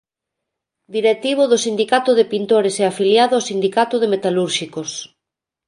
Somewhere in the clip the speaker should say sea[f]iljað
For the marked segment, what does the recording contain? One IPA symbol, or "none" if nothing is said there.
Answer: f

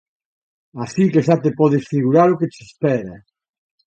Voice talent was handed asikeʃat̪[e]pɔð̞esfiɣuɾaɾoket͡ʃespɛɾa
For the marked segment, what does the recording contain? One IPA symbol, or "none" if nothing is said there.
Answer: e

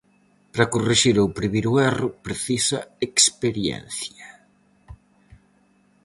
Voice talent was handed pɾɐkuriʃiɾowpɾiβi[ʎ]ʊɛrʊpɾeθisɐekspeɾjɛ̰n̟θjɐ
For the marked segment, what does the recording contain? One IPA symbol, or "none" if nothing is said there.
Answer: ɾ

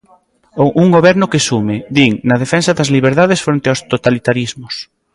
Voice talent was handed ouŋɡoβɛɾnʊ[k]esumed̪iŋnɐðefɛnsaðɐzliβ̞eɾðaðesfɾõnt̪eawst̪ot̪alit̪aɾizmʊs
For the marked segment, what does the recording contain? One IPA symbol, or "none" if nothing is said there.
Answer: k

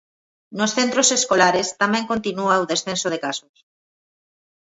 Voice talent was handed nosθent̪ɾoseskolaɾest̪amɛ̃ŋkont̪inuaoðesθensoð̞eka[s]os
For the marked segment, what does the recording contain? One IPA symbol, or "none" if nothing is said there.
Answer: s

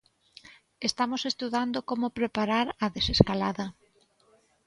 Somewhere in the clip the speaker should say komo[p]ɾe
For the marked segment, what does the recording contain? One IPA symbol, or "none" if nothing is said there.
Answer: p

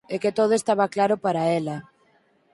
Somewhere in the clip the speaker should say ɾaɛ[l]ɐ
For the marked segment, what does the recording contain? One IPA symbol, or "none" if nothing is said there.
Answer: l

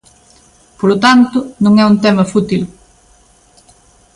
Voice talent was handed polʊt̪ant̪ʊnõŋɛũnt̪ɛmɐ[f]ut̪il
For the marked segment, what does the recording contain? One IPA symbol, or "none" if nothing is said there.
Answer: f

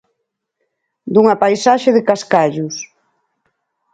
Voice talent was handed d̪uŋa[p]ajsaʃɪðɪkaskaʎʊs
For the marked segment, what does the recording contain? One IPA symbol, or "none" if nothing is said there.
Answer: p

